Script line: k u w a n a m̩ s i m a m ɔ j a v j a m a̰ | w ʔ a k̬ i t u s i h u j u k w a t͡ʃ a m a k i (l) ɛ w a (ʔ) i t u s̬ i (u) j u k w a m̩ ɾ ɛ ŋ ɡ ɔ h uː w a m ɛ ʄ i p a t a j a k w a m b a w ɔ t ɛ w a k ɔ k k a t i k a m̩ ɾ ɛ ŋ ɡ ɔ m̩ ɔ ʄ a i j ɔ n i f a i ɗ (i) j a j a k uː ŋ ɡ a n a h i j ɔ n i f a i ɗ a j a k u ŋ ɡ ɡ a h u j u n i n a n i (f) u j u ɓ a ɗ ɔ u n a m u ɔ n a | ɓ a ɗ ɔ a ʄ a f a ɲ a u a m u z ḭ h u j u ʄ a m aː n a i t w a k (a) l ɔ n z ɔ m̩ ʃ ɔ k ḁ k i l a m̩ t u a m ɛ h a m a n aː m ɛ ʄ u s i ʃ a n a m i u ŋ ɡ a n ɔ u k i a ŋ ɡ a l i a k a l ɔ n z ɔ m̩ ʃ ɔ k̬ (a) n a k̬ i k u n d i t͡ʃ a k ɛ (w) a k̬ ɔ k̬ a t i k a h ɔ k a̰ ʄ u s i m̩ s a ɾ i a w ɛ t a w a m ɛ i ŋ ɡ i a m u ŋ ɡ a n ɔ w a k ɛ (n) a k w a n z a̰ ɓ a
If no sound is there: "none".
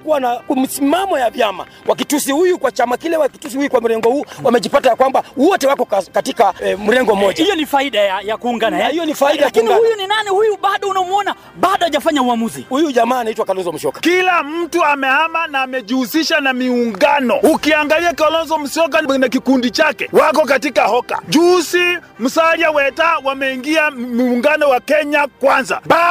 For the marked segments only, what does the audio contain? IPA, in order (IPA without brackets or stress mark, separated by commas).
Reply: l, k, u, a, h, a, a, w, ɲ